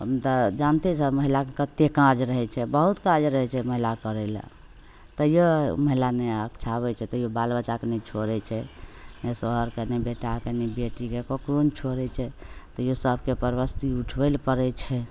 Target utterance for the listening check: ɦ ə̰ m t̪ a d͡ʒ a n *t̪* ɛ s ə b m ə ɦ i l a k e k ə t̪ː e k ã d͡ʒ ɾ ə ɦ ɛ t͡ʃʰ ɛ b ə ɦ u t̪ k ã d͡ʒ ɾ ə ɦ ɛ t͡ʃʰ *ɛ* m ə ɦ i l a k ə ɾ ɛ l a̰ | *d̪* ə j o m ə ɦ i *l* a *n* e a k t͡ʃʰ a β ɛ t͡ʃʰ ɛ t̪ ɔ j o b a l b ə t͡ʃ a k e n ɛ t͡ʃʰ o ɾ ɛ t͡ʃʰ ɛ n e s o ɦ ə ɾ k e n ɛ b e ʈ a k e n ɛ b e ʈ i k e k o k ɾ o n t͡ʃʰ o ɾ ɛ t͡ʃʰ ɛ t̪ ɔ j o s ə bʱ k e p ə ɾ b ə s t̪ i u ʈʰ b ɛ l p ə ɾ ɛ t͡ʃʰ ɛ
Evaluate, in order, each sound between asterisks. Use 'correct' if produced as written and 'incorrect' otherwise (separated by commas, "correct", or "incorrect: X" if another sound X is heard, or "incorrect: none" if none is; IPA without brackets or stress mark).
correct, correct, incorrect: t̪, correct, correct